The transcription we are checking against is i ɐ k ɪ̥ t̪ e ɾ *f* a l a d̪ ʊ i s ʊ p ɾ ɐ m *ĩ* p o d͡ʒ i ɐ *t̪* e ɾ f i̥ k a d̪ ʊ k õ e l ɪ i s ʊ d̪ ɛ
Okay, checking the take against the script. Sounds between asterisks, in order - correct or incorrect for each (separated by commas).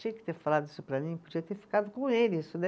correct, correct, correct